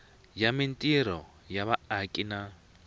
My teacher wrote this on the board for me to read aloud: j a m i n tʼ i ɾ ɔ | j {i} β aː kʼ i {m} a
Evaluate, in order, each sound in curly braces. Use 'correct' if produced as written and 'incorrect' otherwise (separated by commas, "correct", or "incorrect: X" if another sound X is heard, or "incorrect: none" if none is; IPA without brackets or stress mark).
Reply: incorrect: a, incorrect: n